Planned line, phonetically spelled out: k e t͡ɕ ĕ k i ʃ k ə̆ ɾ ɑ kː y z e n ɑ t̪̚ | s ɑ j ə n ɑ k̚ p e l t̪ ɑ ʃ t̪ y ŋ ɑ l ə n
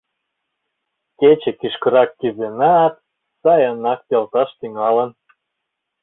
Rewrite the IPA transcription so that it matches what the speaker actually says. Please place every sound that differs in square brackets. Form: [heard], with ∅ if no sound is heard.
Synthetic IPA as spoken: k e t͡ɕ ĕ k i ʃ k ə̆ ɾ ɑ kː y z e n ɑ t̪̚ | s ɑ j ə n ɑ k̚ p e l t̪ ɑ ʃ t̪ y ŋ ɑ l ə n